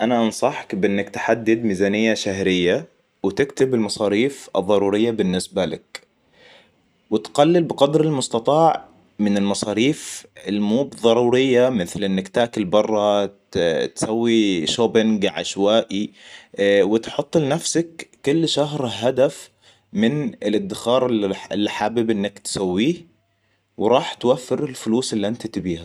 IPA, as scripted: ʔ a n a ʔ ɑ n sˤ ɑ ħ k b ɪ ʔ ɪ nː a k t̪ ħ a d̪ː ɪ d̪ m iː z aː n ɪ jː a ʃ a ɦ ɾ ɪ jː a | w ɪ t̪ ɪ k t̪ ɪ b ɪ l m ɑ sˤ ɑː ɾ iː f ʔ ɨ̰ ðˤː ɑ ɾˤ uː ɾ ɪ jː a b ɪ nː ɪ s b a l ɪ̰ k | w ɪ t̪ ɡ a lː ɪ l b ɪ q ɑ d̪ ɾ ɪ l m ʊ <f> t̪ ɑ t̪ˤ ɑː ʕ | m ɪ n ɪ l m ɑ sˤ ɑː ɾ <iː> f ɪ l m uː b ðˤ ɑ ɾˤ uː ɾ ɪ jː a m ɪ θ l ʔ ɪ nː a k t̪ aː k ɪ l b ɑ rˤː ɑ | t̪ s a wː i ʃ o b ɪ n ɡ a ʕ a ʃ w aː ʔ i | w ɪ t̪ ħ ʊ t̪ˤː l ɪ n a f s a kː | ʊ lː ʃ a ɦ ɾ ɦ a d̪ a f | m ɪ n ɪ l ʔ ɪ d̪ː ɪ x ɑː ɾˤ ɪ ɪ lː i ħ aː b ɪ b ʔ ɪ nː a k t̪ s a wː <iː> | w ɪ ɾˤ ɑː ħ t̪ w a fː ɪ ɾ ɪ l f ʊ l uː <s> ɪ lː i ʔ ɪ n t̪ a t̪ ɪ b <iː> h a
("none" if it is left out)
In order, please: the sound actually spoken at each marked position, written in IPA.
s, iː, iː, s, iː

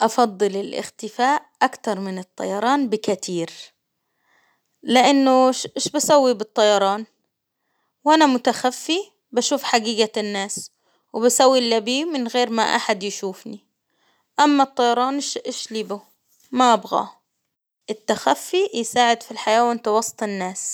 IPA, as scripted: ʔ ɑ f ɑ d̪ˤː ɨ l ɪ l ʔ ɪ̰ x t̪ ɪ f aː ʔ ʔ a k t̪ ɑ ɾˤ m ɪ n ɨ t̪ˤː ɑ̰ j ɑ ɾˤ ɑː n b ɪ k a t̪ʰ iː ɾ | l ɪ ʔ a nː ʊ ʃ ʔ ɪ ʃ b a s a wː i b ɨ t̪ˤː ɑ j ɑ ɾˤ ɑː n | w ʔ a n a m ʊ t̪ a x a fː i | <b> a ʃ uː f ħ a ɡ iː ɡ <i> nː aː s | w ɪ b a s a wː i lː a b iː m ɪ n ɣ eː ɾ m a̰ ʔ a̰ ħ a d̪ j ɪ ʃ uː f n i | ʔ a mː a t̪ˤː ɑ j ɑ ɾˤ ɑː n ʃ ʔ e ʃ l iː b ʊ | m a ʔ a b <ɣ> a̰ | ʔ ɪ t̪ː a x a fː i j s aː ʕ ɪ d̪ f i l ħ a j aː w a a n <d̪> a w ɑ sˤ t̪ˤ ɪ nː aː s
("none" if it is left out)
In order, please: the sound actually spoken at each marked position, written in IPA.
b, a, ɣ, t̪

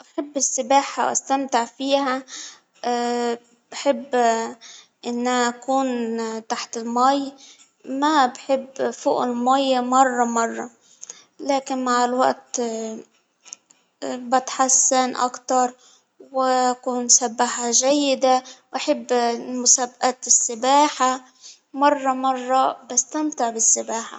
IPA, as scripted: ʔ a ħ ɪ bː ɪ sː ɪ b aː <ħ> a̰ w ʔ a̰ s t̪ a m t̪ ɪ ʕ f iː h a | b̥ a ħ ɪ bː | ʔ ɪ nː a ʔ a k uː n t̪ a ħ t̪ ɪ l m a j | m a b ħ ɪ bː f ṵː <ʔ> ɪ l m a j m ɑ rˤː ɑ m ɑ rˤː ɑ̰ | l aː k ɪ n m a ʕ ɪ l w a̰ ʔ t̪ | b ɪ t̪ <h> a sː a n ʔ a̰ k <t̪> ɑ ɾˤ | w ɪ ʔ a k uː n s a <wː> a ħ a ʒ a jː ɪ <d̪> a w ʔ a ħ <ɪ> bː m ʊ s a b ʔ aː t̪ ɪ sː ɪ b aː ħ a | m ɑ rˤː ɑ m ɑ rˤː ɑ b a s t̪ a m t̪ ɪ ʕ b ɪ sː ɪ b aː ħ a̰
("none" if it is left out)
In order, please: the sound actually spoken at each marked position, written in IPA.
ħ, ʔ, ħ, t̪, bː, d̪, ɪ

